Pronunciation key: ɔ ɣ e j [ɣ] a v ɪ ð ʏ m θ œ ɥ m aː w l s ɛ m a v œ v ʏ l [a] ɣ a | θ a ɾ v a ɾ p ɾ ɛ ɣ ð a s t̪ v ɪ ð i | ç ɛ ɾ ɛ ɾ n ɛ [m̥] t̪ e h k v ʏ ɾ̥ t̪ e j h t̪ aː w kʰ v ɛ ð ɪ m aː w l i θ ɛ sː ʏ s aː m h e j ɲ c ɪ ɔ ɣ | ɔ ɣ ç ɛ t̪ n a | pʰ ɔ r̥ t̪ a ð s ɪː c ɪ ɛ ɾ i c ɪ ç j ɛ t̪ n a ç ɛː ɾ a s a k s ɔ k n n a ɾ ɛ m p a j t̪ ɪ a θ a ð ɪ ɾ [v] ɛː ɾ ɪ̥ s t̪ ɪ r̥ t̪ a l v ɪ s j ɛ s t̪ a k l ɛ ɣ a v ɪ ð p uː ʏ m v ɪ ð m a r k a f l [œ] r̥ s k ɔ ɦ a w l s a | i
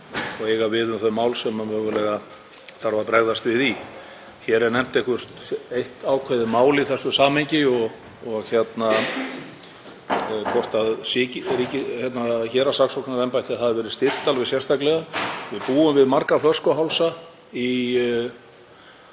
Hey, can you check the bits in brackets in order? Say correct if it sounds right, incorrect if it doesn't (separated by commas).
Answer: correct, incorrect, correct, correct, correct